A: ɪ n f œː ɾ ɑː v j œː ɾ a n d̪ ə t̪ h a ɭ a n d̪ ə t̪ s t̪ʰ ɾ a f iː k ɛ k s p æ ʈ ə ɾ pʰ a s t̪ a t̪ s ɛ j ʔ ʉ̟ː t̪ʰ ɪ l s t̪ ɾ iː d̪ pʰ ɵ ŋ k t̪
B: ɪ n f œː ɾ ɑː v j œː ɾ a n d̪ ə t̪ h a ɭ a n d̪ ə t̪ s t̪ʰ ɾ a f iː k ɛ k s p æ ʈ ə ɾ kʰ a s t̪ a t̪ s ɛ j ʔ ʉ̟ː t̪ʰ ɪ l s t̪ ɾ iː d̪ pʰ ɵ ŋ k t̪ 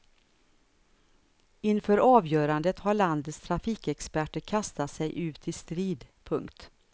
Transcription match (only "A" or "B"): B